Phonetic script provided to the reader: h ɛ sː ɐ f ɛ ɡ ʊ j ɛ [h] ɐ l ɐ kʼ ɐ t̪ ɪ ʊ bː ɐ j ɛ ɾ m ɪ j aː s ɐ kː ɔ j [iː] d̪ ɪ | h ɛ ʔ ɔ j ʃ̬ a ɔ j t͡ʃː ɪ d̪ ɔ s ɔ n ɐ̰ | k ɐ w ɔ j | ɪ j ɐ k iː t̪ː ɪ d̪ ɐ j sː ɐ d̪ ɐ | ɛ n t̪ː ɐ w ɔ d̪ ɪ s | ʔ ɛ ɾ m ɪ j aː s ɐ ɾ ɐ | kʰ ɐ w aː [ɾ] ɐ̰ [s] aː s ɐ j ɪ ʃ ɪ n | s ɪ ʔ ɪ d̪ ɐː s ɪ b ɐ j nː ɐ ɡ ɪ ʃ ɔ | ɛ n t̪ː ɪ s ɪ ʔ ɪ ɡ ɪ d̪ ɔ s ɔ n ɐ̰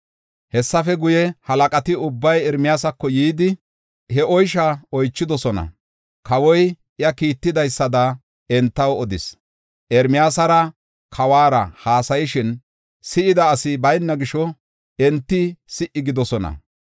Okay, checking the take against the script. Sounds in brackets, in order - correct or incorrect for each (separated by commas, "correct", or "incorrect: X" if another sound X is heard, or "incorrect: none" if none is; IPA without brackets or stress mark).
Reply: correct, correct, correct, incorrect: h